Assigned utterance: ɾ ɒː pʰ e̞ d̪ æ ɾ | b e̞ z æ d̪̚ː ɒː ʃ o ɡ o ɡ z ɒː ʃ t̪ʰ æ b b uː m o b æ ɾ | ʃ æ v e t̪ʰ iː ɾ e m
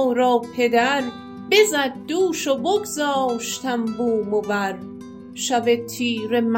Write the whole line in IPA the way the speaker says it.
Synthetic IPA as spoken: ɾ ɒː pʰ e̞ d̪ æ ɾ | b e̞ z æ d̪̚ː uː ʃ o b o ɡ z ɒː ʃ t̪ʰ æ m b uː m o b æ ɾ | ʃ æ v e t̪ʰ iː ɾ e m